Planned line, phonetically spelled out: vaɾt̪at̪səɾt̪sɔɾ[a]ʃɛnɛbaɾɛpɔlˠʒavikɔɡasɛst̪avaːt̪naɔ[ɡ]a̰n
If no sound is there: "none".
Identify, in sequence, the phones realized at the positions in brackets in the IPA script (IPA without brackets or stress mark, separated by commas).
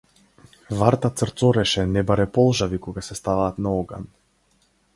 ɛ, ɡ